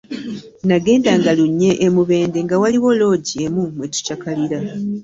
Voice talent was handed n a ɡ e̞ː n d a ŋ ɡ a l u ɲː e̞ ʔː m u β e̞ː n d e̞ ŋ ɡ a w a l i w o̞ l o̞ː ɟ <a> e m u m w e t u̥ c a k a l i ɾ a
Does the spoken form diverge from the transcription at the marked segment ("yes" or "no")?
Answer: yes